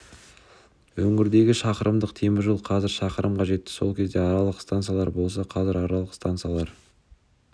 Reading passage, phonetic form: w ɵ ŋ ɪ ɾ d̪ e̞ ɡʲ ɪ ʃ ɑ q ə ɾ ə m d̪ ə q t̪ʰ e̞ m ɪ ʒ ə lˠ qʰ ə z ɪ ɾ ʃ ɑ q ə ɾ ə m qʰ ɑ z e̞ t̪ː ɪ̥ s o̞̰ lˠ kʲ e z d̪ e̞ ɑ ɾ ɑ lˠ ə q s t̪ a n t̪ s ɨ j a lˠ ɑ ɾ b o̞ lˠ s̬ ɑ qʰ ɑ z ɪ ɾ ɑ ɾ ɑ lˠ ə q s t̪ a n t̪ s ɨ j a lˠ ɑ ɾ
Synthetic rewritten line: w ɵ ŋ ɪ ɾ d̪ e̞ ɡʲ ɪ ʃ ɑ q ə ɾ ə m d̪ ə q t̪ʰ e̞ m ɪ ʒ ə lˠ qʰ ɑ z ɪ ɾ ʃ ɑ q ə ɾ ə m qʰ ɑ ʒ e̞ t̪ː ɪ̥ s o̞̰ lˠ kʲ e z d̪ e̞ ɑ ɾ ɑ lˠ ə q s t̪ a n t̪ s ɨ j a lˠ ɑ ɾ b o̞ lˠ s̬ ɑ qʰ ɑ z ɪ ɾ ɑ ɾ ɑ lˠ ə q s t̪ a n t̪ s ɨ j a lˠ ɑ ɾ